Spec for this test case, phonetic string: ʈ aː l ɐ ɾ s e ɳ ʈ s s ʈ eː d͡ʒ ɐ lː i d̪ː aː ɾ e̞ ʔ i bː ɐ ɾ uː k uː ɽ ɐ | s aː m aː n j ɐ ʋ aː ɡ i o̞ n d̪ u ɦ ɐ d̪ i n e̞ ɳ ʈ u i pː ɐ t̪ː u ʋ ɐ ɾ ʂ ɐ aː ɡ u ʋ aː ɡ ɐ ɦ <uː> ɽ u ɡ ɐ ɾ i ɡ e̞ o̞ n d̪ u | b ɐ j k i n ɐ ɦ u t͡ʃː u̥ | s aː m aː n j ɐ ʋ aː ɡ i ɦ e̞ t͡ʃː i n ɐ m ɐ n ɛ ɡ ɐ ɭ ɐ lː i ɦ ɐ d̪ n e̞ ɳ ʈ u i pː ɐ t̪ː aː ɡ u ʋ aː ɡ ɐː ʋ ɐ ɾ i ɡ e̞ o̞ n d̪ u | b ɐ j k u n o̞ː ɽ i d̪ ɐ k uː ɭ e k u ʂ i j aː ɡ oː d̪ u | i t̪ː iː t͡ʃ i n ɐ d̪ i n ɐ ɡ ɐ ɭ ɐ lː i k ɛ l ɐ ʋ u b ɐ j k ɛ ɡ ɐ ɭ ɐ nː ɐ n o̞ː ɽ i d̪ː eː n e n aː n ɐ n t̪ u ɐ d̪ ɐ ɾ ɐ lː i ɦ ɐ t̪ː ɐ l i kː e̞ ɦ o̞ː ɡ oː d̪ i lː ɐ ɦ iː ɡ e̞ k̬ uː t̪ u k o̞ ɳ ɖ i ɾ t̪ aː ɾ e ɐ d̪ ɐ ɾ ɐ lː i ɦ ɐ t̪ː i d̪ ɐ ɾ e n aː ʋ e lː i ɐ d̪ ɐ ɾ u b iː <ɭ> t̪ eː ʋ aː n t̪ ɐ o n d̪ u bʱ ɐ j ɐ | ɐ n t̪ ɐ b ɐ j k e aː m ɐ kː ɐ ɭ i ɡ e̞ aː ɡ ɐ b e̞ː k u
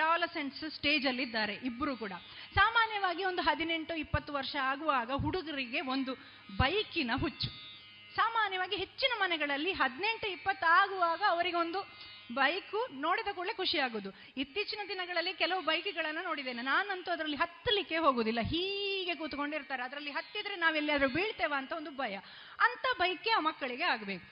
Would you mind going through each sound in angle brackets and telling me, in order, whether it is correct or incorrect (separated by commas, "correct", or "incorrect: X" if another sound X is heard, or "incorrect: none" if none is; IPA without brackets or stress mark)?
incorrect: u, correct